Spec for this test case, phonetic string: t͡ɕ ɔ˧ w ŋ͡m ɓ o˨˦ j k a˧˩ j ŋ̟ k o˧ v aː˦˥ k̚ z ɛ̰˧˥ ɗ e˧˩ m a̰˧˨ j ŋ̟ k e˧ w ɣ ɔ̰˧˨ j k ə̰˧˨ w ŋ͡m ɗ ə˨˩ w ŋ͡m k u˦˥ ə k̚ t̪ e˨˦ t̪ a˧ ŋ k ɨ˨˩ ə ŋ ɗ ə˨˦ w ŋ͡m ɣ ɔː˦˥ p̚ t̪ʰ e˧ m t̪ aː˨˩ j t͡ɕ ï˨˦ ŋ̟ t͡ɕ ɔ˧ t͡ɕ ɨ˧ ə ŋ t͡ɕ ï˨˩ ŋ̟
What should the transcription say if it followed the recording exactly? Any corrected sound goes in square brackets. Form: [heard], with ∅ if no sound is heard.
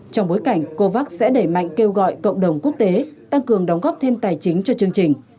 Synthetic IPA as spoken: t͡ɕ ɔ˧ w ŋ͡m ɓ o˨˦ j k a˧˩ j ŋ̟ k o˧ v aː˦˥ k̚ [s] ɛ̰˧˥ ɗ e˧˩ m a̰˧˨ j ŋ̟ k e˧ w ɣ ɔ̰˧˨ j k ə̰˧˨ w ŋ͡m ɗ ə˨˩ w ŋ͡m k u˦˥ ə k̚ t̪ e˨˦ t̪ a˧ ŋ k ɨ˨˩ ə ŋ ɗ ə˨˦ w ŋ͡m ɣ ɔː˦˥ p̚ t̪ʰ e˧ m t̪ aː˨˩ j t͡ɕ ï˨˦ ŋ̟ t͡ɕ ɔ˧ t͡ɕ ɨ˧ ə ŋ t͡ɕ ï˨˩ ŋ̟